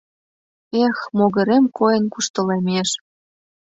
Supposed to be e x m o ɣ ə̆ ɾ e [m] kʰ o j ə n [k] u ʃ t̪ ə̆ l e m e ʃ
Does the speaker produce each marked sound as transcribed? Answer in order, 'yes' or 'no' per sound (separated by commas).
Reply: yes, yes